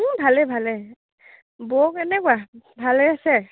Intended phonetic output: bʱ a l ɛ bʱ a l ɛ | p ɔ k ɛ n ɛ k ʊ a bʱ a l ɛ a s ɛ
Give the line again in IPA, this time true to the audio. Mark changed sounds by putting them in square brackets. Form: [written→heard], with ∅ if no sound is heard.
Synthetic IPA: bʱ a l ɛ bʱ a l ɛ | [p→b] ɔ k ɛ n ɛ k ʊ a bʱ a l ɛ a s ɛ